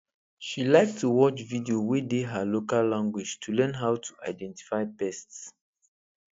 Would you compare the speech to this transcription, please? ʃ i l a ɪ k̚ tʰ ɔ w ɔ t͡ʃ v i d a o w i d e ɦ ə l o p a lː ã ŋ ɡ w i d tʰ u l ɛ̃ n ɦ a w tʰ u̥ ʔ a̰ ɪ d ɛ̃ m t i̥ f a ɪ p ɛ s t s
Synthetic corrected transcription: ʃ i l a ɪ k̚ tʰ u w ɔ t͡ʃ v i d i o w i d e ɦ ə l o k a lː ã ŋ ɡ w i d͡ʒ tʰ u l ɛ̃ n ɦ a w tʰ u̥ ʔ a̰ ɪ d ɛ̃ n t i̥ f a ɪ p ɛ s t s